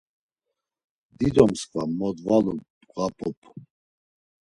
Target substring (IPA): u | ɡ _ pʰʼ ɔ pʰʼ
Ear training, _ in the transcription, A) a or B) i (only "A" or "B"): A